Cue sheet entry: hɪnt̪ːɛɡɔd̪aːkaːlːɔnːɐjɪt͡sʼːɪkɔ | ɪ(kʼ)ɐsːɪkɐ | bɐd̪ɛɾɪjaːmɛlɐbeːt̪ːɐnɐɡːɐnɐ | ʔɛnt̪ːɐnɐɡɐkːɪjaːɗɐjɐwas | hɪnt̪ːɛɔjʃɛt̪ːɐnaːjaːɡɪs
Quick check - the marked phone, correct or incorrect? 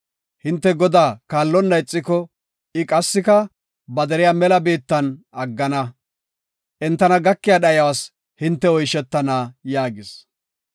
correct